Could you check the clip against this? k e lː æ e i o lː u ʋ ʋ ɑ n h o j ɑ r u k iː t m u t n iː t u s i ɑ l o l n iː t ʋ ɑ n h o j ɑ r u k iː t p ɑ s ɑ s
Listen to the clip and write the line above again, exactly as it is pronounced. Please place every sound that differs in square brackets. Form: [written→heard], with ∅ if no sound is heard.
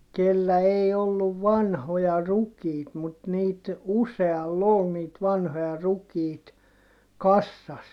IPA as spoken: k e lː æ e i o lː u ʋ ʋ ɑ n h o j ɑ r u k iː t m u t n iː t u s [i→e] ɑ [l→lː] o l n iː t ʋ ɑ n h o j ɑ r u k iː t [p→k] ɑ [s→sː] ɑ s